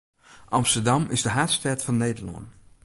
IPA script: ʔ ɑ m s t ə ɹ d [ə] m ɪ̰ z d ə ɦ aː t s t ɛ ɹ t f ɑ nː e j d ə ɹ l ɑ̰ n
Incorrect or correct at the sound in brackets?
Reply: incorrect: ɑ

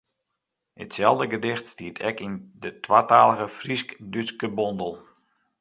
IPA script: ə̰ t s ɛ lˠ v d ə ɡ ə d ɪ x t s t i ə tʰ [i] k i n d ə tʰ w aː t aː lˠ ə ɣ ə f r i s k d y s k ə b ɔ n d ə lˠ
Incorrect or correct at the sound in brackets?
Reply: incorrect: ɛ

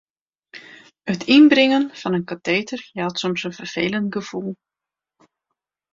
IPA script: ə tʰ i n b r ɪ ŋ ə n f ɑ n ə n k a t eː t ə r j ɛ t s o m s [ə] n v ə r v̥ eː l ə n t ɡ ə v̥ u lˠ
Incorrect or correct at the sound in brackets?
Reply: correct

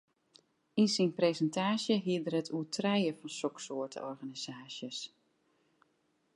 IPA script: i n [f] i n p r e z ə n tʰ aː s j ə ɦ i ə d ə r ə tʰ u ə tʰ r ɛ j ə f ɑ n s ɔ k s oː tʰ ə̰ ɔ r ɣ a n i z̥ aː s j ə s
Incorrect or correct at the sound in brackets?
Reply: incorrect: s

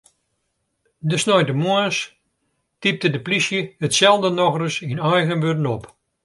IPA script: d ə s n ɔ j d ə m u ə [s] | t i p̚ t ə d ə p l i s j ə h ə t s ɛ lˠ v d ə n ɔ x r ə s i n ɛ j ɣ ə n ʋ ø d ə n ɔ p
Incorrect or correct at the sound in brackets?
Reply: correct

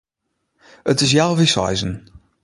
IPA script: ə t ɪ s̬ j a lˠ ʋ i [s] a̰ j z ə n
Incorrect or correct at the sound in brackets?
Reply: correct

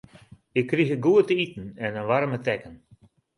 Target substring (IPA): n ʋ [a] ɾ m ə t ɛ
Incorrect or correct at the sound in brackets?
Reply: correct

